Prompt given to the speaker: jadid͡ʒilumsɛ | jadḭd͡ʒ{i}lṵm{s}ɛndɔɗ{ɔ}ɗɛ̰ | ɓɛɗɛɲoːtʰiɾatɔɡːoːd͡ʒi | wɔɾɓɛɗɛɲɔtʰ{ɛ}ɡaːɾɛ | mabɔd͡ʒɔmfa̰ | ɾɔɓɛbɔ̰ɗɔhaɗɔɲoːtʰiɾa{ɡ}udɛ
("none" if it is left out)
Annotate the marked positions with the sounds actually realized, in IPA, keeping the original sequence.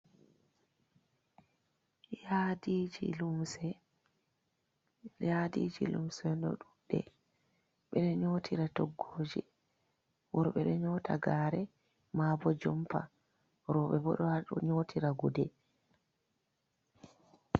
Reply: i, s, u, a, ɡ

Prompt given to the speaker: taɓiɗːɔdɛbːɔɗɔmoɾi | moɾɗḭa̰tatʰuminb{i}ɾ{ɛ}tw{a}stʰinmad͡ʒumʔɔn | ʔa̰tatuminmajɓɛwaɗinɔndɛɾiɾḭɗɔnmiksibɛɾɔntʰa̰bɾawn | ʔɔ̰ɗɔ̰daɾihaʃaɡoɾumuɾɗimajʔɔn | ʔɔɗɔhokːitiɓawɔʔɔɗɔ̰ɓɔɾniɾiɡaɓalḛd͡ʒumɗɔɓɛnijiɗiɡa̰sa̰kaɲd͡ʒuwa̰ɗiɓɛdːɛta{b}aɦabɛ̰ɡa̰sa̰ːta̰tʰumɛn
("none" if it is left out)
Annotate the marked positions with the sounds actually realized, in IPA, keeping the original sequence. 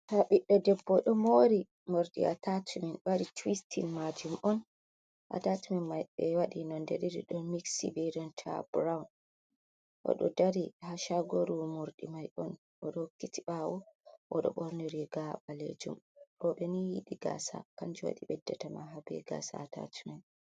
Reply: a, i, i, m

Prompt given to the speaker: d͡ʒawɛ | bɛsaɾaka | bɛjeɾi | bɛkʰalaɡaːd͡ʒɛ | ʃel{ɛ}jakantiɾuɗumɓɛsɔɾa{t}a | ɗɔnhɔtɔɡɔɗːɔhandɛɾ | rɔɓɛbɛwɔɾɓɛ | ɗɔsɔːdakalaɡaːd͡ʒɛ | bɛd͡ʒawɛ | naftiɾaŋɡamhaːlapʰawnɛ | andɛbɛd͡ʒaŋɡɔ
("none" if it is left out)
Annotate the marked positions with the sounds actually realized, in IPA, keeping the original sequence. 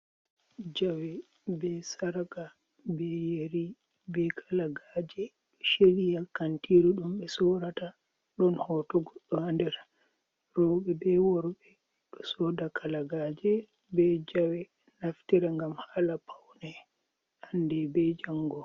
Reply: i, t

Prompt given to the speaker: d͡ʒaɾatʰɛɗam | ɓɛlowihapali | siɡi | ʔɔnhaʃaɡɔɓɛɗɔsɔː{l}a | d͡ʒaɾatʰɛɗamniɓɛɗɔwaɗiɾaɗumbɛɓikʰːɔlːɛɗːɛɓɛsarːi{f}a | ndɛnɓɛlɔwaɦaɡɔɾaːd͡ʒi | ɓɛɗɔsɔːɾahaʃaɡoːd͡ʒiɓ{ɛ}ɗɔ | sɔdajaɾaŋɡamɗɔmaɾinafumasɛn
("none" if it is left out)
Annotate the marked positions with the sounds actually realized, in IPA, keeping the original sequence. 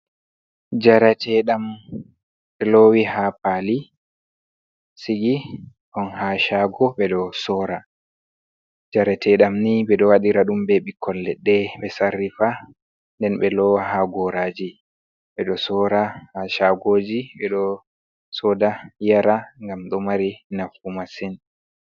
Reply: ɾ, f, ɛ

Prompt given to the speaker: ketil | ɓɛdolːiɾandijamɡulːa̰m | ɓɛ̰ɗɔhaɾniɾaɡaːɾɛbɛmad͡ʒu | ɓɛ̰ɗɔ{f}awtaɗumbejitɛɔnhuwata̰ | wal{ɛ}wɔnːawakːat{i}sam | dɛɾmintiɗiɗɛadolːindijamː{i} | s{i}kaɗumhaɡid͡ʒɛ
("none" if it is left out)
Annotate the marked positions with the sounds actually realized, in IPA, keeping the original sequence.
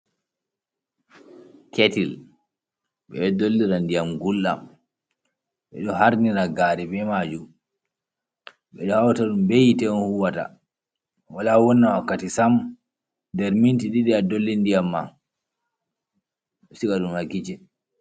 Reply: h, a, i, a, i

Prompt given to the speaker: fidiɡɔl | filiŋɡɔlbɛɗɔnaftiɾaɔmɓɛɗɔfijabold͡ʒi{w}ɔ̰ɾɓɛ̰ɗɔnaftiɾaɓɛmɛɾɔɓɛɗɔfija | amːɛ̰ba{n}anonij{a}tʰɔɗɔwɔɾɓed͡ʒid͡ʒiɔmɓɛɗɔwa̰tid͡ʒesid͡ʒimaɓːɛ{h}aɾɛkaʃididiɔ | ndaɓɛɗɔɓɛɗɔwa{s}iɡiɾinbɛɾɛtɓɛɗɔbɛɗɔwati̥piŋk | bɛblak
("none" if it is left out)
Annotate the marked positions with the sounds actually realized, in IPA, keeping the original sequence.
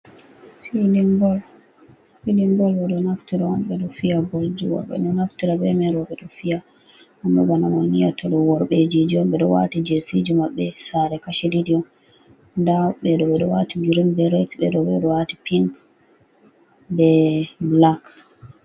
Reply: w, n, a, s, t

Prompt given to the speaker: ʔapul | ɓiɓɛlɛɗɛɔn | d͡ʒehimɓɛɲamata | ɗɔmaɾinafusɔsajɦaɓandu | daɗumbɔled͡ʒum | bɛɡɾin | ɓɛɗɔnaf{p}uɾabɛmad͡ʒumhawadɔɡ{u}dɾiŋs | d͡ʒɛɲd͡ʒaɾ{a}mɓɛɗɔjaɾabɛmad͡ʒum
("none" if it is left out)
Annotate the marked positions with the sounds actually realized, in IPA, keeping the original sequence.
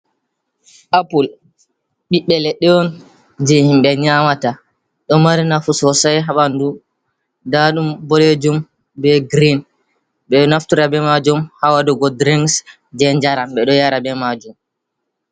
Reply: t, ɔ, a

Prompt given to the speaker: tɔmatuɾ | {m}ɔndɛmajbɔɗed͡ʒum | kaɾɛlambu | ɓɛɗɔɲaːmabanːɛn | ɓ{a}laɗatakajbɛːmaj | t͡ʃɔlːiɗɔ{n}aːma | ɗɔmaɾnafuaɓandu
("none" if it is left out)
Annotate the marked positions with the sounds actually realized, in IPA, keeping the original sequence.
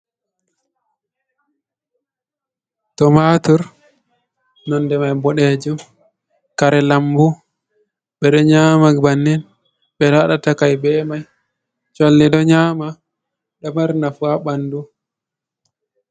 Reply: n, ɛ, ɲ

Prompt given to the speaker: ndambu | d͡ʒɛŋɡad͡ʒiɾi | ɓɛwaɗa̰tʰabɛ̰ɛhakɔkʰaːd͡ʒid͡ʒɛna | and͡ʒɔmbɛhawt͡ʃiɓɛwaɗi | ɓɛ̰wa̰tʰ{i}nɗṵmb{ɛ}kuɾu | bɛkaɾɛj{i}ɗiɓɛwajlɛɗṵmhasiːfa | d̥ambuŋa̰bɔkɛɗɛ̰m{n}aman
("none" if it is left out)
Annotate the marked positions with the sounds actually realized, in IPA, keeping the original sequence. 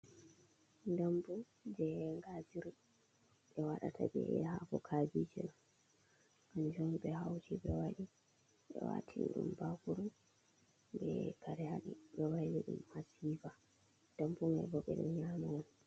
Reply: i, a, a, ɲ

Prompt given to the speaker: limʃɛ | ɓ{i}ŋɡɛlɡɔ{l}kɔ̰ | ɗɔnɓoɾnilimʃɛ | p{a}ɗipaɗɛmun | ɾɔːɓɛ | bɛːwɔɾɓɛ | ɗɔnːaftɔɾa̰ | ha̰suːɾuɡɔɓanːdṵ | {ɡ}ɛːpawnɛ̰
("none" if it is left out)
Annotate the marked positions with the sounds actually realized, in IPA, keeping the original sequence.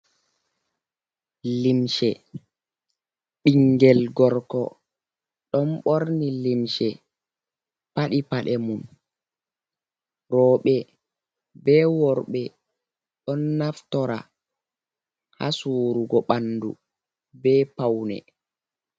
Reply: i, ɾ, a, b

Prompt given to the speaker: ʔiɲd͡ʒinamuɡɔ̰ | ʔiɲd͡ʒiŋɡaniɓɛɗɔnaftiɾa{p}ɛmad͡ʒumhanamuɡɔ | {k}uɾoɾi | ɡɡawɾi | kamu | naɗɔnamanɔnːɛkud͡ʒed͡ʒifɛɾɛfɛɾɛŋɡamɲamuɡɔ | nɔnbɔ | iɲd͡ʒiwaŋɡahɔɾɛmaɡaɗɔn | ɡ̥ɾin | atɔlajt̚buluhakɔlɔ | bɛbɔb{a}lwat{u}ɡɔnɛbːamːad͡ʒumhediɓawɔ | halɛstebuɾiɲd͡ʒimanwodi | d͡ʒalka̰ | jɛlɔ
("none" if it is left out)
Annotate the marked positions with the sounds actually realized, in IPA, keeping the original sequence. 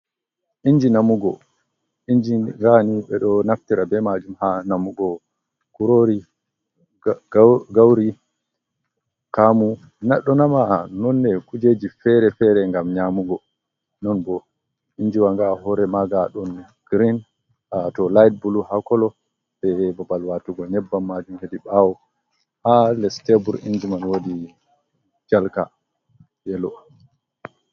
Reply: b, k, a, u

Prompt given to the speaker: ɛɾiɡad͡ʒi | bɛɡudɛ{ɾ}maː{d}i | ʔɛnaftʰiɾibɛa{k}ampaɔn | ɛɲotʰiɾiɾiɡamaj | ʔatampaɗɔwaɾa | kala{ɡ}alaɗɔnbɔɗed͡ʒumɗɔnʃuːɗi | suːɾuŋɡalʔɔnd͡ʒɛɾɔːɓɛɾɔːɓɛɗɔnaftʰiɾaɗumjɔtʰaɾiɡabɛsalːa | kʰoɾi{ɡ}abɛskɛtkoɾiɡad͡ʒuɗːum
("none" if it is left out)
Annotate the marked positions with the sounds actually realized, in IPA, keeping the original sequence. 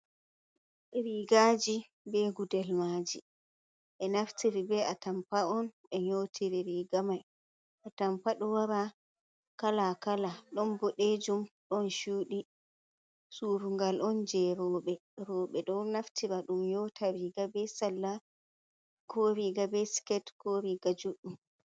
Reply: l, d͡ʒ, t, k, ɡ

